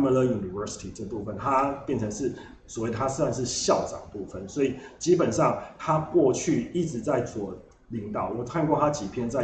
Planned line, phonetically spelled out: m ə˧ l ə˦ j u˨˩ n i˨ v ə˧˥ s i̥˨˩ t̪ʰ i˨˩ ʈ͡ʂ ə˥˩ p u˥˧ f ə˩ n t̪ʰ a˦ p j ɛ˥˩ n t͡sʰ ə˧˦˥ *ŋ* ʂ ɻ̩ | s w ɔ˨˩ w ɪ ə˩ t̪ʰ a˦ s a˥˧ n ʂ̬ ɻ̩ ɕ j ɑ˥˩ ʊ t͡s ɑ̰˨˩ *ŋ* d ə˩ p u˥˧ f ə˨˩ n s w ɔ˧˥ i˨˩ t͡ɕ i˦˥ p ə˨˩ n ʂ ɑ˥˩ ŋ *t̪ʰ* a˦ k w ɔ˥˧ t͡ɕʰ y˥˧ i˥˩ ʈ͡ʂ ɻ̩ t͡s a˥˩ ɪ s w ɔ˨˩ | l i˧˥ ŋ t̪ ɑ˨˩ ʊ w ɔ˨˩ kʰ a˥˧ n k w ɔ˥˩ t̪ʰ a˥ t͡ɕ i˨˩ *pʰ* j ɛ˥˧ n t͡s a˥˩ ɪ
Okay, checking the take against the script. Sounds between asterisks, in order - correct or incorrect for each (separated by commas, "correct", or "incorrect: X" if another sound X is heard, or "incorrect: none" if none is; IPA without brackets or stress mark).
correct, correct, correct, correct